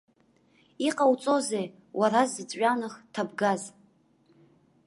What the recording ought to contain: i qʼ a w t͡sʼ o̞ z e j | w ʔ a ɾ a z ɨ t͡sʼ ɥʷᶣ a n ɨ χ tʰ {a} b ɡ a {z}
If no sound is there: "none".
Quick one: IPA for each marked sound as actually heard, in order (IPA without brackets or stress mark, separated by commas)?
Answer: a, z